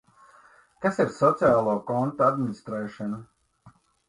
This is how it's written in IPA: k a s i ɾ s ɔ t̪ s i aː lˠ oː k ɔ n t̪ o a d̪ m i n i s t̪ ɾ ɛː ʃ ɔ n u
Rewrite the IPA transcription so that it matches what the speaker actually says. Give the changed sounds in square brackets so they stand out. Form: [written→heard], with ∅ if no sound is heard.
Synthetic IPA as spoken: k a s i ɾ s ɔ t̪ s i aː lˠ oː k ɔ n t̪ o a d̪ m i n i s t̪ ɾ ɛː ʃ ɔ n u

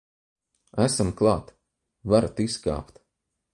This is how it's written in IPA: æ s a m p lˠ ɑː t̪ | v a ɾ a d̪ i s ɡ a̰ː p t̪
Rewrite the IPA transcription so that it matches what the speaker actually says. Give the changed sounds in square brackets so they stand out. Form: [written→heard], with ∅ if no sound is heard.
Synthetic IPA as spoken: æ s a m [p→k] lˠ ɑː t̪ | v a ɾ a [d̪→t̪] i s [ɡ→k] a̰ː p t̪

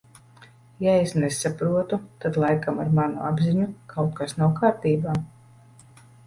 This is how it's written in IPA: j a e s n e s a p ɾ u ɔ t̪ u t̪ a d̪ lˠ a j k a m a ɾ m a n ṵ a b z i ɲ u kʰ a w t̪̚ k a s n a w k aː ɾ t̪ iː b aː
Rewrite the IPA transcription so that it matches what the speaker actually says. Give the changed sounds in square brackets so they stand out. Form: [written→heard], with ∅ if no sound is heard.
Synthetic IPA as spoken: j a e s n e s a p ɾ u ɔ t̪ u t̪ a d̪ lˠ a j k a m a ɾ m a n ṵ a b z i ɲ u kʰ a w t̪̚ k a s n a w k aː ɾ t̪ iː b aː

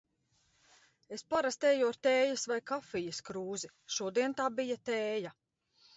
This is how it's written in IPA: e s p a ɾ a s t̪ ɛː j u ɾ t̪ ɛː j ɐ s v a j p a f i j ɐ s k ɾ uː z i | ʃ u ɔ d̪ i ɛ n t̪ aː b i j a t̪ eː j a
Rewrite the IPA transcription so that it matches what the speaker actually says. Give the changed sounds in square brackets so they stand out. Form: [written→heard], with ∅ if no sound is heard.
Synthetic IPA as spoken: e s p a ɾ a s t̪ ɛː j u ɾ t̪ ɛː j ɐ s v a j [p→k] a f i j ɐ s k ɾ uː z i | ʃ u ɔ d̪ i ɛ n t̪ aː b i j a t̪ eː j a

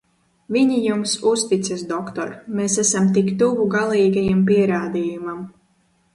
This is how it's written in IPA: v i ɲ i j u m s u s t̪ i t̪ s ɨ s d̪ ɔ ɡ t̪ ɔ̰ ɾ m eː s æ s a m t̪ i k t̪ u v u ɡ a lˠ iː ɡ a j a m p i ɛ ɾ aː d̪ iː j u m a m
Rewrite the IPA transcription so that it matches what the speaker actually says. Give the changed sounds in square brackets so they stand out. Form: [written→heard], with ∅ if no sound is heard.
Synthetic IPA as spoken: v i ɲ i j u m s u s t̪ i t̪ s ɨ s d̪ ɔ [ɡ→k] t̪ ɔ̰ ɾ m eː s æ s a m t̪ i k t̪ u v u ɡ a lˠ iː ɡ a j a m p i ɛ ɾ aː d̪ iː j u m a m

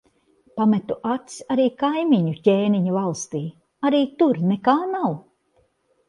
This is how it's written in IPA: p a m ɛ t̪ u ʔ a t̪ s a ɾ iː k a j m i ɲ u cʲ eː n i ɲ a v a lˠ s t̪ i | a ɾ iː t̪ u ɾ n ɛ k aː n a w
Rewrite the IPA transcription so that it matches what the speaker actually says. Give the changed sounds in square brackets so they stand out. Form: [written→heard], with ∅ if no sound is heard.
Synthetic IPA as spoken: p a m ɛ t̪ u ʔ a t̪ s a ɾ iː k a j m i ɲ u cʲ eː n i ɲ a v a lˠ s t̪ [i→iː] | a ɾ iː t̪ u ɾ n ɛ k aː n a w

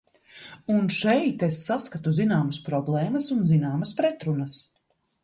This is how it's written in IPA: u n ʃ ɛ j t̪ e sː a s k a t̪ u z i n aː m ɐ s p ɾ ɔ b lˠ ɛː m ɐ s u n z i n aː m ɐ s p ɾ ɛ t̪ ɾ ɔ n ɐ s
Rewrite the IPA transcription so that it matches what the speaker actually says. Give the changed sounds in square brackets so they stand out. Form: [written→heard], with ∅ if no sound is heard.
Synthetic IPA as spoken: u n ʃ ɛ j t̪ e sː a s k a t̪ u z i n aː m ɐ s p ɾ ɔ b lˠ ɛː m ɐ s u n z i n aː m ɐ s p ɾ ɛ t̪ ɾ [ɔ→u] n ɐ s

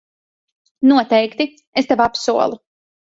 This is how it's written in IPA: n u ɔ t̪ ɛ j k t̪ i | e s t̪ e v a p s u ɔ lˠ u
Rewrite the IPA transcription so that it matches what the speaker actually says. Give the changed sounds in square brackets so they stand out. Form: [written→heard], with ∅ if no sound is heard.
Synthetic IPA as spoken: n u ɔ t̪ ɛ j k t̪ i | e s t̪ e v a p s u ɔ lˠ u

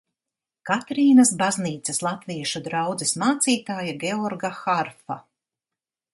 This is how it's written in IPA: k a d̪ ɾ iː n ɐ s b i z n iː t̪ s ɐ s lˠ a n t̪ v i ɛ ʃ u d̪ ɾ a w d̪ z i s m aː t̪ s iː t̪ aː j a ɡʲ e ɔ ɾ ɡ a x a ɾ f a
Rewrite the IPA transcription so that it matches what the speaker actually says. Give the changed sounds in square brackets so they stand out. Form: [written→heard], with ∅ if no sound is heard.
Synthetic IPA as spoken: k a [d̪→t̪] ɾ iː n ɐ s b [i→a] z n iː t̪ s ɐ s lˠ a [n→∅] t̪ v i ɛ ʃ u d̪ ɾ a w d̪ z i s m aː t̪ s iː t̪ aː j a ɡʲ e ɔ ɾ ɡ a x a ɾ f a

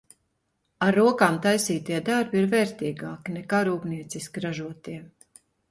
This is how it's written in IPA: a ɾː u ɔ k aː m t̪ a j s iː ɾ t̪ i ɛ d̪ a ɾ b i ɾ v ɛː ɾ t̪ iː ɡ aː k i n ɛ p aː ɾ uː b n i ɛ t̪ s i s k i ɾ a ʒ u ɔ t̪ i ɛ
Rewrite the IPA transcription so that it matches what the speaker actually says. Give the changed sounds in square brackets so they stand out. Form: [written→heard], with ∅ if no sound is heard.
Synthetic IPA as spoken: a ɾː u ɔ k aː m t̪ a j s iː [ɾ→∅] t̪ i ɛ d̪ a ɾ b i ɾ v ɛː ɾ t̪ iː ɡ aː k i n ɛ [p→k] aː ɾ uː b n i ɛ t̪ s i s k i ɾ a ʒ u ɔ t̪ i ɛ

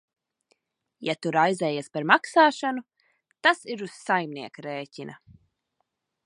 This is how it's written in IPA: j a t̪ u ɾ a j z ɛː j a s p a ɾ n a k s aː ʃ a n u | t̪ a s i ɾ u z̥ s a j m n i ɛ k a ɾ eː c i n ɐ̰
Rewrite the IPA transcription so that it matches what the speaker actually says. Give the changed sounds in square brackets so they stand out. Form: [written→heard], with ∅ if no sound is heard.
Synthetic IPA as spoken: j a t̪ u ɾ a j z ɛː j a s p a ɾ [n→m] a k s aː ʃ a n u | t̪ a s i ɾ u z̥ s a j m n i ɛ k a ɾ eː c i n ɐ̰

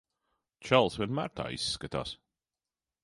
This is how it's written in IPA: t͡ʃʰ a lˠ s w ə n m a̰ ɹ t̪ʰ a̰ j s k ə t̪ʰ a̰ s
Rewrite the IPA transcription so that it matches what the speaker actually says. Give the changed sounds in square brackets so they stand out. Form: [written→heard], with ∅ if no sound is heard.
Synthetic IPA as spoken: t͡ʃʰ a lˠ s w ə n m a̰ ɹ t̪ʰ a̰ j s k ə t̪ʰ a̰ s

